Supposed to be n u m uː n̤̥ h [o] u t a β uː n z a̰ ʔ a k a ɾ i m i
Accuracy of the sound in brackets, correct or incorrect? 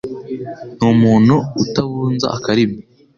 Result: incorrect